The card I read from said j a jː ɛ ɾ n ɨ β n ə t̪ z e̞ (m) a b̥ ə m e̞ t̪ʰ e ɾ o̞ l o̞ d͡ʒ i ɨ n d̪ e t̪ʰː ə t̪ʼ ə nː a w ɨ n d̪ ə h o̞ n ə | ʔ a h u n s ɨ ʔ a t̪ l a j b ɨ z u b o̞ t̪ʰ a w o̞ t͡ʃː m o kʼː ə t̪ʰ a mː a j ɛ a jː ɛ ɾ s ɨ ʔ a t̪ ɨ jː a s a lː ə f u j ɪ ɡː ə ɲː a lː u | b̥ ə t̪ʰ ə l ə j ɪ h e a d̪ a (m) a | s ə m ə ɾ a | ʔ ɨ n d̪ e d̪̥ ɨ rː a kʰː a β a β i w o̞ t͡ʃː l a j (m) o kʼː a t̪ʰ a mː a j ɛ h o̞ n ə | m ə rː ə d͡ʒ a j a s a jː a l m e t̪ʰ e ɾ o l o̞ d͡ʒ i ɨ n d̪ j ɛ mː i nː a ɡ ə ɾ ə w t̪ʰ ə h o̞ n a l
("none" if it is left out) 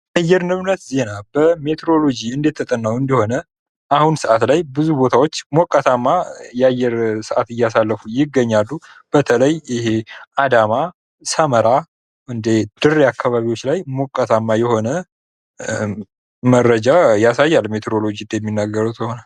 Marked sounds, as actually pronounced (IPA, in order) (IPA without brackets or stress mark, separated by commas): n, m, m